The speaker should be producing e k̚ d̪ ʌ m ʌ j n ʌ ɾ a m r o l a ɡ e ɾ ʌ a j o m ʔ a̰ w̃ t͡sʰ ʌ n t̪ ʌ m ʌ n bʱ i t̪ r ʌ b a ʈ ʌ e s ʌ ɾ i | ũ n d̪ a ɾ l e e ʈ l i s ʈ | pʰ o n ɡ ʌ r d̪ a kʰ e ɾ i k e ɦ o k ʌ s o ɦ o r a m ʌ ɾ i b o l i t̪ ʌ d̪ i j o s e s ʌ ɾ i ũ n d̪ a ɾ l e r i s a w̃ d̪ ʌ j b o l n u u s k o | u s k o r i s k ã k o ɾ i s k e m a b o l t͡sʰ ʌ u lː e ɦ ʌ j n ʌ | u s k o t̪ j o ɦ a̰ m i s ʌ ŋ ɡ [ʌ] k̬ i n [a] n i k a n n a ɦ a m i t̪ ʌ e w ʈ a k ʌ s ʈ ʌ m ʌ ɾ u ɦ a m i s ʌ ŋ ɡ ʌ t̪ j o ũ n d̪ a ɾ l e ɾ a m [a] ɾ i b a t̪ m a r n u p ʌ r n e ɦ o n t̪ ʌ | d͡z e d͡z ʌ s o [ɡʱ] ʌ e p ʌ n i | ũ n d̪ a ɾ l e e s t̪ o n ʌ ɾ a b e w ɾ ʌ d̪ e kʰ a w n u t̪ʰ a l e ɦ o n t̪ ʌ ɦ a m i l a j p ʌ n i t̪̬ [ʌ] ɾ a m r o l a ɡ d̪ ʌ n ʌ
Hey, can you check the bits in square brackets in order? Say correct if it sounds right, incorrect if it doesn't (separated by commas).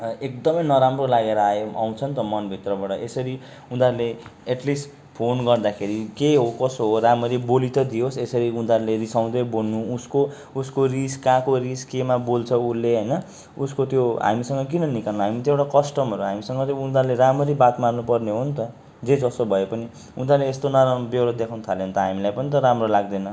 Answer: correct, incorrect, incorrect, incorrect, correct